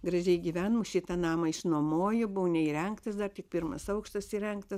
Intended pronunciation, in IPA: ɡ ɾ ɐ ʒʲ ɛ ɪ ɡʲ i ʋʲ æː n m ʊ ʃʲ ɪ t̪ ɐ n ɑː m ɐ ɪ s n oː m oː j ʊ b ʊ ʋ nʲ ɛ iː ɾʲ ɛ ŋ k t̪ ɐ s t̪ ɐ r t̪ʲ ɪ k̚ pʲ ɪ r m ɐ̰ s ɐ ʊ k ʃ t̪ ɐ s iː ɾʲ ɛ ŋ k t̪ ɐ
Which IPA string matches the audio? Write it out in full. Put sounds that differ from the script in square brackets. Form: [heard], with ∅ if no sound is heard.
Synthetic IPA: ɡ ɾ ɐ ʒʲ ɛ ɪ ɡʲ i ʋʲ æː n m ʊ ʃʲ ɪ t̪ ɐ n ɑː m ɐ ɪ [ʃ] n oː m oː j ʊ b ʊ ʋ nʲ ɛ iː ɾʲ ɛ ŋ k t̪ ɐ s [d̪] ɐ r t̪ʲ ɪ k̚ pʲ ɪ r m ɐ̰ s ɐ ʊ k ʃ t̪ ɐ s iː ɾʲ ɛ ŋ k t̪ ɐ

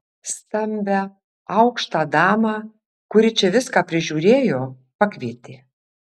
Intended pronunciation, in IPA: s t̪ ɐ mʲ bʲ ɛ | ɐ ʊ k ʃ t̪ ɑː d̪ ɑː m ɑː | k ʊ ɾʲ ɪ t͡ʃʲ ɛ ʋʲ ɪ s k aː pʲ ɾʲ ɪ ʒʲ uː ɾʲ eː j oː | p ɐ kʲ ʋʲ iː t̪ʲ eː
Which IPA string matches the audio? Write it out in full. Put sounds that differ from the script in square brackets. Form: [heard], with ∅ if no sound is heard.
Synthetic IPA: s t̪ ɐ mʲ bʲ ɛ | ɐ ʊ k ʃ t̪ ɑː d̪ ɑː m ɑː | k ʊ ɾʲ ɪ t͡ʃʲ ɛ ʋʲ ɪ s k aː pʲ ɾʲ ɪ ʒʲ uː ɾʲ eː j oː | p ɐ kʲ ʋʲ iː t̪ʲ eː

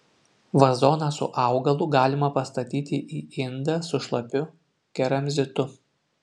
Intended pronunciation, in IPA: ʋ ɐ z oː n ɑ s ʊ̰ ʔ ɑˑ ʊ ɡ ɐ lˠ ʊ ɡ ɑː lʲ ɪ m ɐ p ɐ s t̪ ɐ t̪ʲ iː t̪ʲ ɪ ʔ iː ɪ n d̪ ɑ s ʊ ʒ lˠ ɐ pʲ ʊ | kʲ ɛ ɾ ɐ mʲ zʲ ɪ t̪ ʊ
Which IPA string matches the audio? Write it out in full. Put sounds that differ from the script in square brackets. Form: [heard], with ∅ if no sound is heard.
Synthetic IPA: ʋ ɐ z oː n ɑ s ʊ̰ ʔ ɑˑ ʊ ɡ ɐ lˠ ʊ ɡ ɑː lʲ ɪ m ɐ p ɐ s t̪ ɐ t̪ʲ iː t̪ʲ ɪ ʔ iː ɪ n d̪ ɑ s ʊ [ʃ] lˠ ɐ pʲ ʊ | kʲ ɛ ɾ ɐ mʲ zʲ ɪ t̪ ʊ

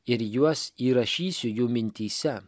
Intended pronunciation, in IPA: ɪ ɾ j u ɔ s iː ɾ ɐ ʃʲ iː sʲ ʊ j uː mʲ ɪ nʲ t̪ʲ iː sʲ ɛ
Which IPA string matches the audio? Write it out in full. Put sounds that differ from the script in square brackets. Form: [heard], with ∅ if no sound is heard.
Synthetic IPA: ɪ ɾ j u ɔ s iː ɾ ɐ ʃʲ iː sʲ ʊ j uː mʲ ɪ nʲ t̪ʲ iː sʲ ɛ

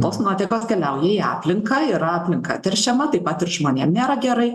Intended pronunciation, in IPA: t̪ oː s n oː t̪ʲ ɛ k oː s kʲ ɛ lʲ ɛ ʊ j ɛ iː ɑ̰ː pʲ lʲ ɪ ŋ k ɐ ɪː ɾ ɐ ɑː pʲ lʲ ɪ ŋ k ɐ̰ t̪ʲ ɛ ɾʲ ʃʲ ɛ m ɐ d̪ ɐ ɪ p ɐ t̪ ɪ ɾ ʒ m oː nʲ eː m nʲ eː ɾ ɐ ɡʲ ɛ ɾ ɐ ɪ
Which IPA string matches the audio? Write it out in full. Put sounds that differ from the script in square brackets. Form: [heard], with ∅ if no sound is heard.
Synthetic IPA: t̪ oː s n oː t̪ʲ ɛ k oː s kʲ ɛ lʲ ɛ ʊ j ɛ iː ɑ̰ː pʲ lʲ ɪ ŋ k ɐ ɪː ɾ ɐ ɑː pʲ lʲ ɪ ŋ k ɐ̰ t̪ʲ ɛ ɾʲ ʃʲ ɛ m ɐ [t̪] ɐ ɪ p ɐ t̪ ɪ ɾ ʒ m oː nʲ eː m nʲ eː ɾ ɐ ɡʲ ɛ ɾ ɐ ɪ

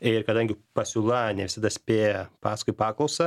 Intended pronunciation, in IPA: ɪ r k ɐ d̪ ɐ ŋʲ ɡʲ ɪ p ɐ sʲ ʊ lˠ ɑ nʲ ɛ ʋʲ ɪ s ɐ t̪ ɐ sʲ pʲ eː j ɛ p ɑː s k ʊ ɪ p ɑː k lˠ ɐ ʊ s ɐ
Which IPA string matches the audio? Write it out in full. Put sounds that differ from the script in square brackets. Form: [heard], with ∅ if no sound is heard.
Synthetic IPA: ɪ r k ɐ d̪ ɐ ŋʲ ɡʲ ɪ p ɐ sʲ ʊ lˠ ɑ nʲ ɛ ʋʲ ɪ s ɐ [d̪] ɐ sʲ pʲ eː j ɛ p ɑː s k ʊ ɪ p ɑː k lˠ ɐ ʊ s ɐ

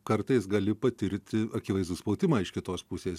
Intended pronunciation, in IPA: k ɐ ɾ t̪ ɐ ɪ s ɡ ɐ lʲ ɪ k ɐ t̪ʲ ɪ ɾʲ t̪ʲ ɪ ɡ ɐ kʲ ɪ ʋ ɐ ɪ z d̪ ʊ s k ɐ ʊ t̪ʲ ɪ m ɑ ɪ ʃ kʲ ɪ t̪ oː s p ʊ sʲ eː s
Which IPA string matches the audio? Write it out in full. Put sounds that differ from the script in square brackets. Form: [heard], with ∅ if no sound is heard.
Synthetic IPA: k ɐ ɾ t̪ ɐ ɪ s ɡ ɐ lʲ ɪ [p] ɐ t̪ʲ ɪ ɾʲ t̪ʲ ɪ [∅] ɐ kʲ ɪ ʋ ɐ ɪ z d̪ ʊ s [p] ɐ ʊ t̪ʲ ɪ m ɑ ɪ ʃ kʲ ɪ t̪ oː s p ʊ sʲ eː s

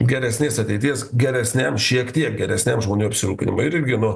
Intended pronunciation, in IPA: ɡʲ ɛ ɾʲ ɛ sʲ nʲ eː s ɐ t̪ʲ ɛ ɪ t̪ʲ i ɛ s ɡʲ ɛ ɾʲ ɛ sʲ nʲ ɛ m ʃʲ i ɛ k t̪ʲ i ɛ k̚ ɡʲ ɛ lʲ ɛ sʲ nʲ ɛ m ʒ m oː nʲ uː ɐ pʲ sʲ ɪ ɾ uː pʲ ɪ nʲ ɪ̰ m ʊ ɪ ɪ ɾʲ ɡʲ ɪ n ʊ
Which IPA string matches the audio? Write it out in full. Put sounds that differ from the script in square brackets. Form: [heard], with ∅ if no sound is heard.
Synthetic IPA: ɡʲ ɛ ɾʲ ɛ sʲ nʲ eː s ɐ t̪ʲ ɛ ɪ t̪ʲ i ɛ s ɡʲ ɛ ɾʲ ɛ sʲ nʲ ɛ m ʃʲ i ɛ k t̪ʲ i ɛ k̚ ɡʲ ɛ [ɾʲ] ɛ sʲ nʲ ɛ m ʒ m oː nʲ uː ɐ pʲ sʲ ɪ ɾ uː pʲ ɪ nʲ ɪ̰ m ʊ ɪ ɪ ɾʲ ɡʲ ɪ n ʊ

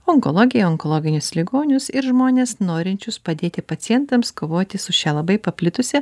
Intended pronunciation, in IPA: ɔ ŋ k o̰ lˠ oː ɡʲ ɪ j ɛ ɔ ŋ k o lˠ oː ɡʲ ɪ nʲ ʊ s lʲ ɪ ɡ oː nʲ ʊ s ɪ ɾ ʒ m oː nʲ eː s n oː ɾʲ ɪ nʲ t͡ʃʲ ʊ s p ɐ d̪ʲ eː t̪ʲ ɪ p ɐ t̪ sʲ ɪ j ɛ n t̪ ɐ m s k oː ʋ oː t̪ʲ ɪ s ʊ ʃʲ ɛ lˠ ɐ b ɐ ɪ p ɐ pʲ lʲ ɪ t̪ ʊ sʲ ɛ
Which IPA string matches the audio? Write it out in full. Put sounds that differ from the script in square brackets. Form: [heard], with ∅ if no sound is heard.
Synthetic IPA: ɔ ŋ k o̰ lˠ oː ɡʲ ɪ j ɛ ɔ ŋ k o lˠ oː ɡʲ ɪ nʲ ʊ s lʲ ɪ ɡ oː nʲ ʊ s ɪ ɾ ʒ m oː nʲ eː s n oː ɾʲ ɪ nʲ t͡ʃʲ ʊ s p ɐ d̪ʲ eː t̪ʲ ɪ p ɐ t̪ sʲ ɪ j ɛ n t̪ ɐ m s k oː ʋ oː t̪ʲ ɪ s ʊ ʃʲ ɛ lˠ ɐ b ɐ ɪ p ɐ pʲ lʲ ɪ t̪ ʊ sʲ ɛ

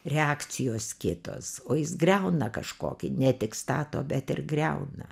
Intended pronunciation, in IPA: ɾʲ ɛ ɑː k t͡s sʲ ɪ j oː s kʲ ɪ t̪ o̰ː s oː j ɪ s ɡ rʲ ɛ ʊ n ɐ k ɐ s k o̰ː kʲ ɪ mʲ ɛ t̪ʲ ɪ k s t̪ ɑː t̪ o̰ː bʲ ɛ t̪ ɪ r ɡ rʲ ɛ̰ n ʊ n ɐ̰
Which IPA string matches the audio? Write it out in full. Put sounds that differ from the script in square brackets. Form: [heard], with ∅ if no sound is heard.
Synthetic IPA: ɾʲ ɛ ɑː k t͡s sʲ ɪ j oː s kʲ ɪ t̪ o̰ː s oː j ɪ s ɡ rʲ ɛ ʊ n ɐ k ɐ [ʃ] k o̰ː kʲ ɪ [nʲ] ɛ t̪ʲ ɪ k s t̪ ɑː t̪ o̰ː bʲ ɛ t̪ ɪ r ɡ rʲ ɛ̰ [∅] ʊ n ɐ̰

